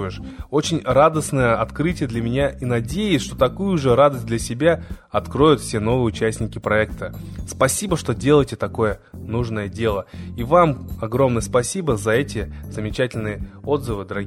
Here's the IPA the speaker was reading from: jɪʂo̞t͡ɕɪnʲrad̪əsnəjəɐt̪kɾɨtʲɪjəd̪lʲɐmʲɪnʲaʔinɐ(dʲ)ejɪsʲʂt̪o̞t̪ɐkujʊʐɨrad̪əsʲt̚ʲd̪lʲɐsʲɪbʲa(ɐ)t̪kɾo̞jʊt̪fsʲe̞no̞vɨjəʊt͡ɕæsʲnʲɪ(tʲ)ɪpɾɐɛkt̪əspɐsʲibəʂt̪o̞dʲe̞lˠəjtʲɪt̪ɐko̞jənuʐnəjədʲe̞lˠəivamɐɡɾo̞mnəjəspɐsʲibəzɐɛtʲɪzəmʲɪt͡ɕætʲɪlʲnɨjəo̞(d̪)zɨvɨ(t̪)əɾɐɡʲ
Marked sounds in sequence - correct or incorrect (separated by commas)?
correct, correct, incorrect, correct, incorrect